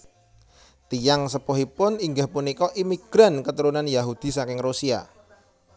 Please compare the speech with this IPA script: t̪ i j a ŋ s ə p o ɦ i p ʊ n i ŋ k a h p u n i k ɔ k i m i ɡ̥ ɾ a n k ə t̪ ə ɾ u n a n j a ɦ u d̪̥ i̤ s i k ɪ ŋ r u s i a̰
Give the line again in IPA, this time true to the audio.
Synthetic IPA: t̪ i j a ŋ s ə p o ɦ i p ʊ n i ŋ ɡ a h p u n i k ɔ ʔ i m i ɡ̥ ɾ a n k ə t̪ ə ɾ u n a n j a ɦ u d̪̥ i̤ s a k ɪ ŋ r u s i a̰